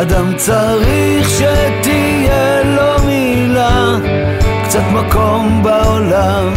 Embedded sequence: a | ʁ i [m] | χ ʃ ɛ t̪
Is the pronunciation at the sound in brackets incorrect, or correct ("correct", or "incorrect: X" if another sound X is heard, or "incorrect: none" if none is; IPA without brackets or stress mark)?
incorrect: none